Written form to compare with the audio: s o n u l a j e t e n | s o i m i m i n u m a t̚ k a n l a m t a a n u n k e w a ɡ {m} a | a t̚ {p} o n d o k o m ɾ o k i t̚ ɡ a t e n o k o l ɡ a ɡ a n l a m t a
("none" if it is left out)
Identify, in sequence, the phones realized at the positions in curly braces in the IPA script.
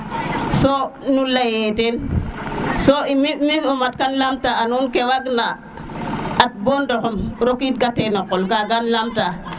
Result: n, b

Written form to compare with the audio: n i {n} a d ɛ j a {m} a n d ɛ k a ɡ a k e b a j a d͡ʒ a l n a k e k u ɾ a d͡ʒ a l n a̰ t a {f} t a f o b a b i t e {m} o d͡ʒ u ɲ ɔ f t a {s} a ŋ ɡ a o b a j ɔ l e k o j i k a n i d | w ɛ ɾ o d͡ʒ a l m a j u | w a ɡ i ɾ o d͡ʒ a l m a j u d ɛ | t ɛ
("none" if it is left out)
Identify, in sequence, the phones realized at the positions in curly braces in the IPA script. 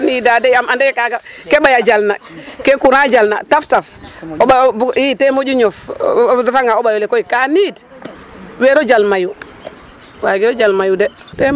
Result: d, m, f, m, f

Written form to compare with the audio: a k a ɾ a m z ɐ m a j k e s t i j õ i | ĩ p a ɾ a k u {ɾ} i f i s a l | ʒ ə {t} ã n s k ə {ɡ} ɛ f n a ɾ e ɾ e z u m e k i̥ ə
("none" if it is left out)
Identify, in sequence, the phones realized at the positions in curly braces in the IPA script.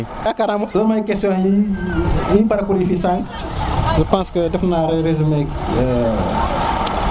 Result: ɾ, p, d

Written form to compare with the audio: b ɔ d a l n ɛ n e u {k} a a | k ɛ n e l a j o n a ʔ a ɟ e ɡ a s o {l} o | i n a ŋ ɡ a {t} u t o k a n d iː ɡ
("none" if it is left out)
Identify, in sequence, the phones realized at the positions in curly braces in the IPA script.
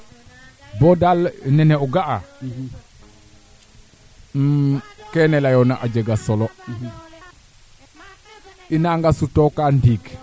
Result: ɡ, l, s

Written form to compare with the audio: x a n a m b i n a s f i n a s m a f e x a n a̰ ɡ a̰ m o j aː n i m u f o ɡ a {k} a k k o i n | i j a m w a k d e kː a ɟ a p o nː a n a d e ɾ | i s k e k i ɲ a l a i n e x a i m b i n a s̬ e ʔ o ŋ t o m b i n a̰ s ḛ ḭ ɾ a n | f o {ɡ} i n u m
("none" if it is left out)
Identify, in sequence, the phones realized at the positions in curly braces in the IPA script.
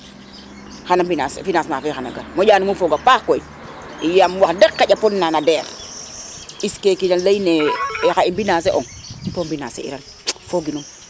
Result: p, ɡ

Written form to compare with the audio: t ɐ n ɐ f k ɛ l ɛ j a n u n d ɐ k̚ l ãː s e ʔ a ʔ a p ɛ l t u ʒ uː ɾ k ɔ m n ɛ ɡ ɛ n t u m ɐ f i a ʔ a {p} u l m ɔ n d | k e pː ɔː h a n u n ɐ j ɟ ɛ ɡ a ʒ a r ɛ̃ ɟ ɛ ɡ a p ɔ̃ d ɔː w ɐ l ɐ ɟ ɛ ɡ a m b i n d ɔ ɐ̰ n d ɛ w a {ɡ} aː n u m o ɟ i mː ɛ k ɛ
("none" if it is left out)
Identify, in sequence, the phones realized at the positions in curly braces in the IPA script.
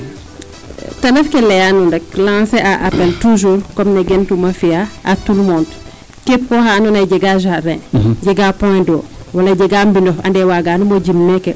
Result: t, ɡ

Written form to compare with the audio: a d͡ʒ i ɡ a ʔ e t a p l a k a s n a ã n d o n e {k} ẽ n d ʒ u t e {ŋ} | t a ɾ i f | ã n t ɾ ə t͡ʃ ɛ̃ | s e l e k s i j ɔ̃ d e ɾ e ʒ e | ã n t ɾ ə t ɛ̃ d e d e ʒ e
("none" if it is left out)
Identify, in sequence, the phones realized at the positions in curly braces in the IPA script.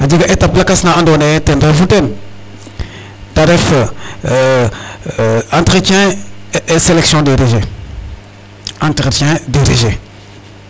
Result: t, n

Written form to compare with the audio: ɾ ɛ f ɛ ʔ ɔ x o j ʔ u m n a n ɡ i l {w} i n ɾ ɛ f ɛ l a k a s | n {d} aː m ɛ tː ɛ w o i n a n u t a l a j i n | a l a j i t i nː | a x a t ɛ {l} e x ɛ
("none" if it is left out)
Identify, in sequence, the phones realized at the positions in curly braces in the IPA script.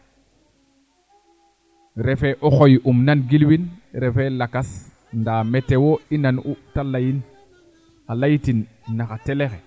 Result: w, d, l

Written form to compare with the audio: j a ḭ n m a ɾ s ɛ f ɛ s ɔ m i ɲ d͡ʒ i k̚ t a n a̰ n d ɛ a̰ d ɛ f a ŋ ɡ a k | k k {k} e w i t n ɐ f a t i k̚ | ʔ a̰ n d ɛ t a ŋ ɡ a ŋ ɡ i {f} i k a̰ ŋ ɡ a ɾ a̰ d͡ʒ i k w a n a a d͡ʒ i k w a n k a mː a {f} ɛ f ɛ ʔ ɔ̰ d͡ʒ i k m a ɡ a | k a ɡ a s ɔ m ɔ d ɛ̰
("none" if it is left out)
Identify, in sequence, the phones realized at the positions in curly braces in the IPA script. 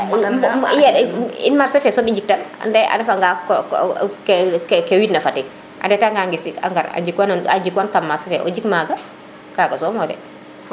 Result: k, s, s

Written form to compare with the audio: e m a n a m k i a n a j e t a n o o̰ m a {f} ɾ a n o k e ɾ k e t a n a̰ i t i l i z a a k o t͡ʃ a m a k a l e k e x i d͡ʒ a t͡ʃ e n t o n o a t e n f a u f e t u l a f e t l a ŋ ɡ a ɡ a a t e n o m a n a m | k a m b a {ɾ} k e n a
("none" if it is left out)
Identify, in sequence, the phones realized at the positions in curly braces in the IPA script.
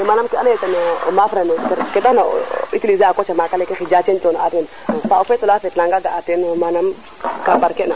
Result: f, ɾ

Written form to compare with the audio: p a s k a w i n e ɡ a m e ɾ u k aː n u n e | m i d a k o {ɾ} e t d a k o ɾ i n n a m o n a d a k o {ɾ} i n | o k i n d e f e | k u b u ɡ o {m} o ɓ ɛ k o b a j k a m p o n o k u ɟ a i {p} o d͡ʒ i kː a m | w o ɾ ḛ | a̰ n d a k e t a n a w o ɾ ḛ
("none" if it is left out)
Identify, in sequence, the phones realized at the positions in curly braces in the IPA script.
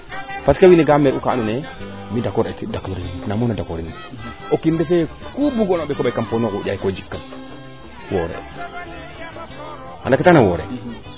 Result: ɾ, ɾ, n, k

